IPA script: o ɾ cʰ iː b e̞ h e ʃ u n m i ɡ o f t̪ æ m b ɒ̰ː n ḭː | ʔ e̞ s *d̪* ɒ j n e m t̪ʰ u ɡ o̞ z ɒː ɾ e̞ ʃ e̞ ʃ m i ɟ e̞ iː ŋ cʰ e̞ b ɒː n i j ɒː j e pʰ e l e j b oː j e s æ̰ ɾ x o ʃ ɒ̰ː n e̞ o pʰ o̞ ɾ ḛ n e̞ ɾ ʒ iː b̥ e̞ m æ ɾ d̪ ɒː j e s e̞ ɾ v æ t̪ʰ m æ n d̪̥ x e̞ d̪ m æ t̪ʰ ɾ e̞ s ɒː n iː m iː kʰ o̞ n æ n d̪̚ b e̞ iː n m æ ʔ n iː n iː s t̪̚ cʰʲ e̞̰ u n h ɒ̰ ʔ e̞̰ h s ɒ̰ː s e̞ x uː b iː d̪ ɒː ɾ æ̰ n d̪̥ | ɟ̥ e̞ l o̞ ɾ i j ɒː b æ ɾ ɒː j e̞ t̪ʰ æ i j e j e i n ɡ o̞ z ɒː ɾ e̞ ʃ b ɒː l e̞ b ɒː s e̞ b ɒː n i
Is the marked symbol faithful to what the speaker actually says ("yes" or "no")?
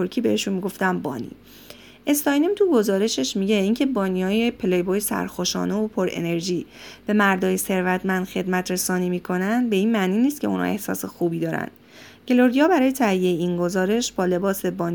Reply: no